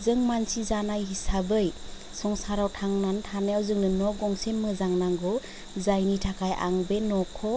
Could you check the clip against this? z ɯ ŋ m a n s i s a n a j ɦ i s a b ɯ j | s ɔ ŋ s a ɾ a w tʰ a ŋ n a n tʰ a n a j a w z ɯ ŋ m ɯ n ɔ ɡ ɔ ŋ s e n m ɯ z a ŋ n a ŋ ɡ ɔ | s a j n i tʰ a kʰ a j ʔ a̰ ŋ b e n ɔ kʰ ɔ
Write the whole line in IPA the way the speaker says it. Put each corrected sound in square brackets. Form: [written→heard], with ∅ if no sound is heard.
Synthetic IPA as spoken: z ɯ ŋ m a n s i [s→z] a n a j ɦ i s a b ɯ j | s ɔ ŋ s a ɾ a w tʰ a ŋ n a n tʰ a n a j a w z ɯ ŋ [m→n] ɯ n ɔ ɡ ɔ ŋ s e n m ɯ z a ŋ n a ŋ ɡ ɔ | [s→z] a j n i tʰ a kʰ a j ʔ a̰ ŋ b e n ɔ kʰ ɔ